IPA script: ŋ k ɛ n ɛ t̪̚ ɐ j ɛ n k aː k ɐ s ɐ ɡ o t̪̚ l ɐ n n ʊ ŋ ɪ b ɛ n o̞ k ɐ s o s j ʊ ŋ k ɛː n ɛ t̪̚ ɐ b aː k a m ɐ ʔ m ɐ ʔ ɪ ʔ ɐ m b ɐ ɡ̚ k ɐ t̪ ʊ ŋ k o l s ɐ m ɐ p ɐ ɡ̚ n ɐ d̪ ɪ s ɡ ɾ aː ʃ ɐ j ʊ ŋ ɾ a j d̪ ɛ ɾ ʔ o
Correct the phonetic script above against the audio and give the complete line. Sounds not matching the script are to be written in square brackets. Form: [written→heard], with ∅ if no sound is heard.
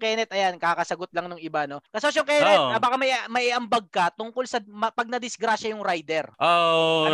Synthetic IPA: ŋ k ɛ n ɛ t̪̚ ɐ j [ɛ→a] n k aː k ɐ s ɐ ɡ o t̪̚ l ɐ [n→ŋ] n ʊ ŋ ɪ b [ɛ→a] n o̞ k ɐ s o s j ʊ ŋ k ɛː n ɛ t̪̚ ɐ b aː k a m ɐ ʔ m ɐ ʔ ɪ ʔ ɐ m b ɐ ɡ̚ k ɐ t̪ ʊ ŋ k o l s ɐ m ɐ p ɐ ɡ̚ n ɐ d̪ ɪ s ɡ ɾ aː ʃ ɐ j ʊ ŋ ɾ a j d̪ ɛ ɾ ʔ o